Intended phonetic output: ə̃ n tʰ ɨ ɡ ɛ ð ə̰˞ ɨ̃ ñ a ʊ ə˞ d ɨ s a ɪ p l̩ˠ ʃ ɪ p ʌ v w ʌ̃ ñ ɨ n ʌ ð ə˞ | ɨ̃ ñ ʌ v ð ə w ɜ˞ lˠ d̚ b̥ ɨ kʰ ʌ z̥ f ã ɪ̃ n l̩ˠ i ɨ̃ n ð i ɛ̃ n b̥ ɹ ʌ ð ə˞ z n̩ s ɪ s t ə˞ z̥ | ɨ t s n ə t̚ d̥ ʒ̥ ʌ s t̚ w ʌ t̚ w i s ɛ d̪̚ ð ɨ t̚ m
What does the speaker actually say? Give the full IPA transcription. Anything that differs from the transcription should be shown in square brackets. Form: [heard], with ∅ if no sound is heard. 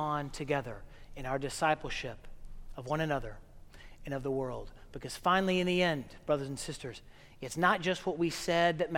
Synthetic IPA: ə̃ n tʰ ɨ ɡ ɛ ð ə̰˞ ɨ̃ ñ a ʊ ə˞ d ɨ s a ɪ p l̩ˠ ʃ ɪ p ʌ v w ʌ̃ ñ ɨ n ʌ ð ə˞ | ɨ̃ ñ ʌ v ð ə w ɜ˞ lˠ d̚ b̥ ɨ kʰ ʌ z̥ f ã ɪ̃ n l̩ˠ i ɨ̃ n ð i ɛ̃ n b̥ ɹ ʌ ð ə˞ z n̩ s ɪ s t ə˞ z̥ | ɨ t s n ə t̚ d̥ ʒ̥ ʌ s t̚ w ʌ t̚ w i s ɛ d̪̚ ð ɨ t̚ m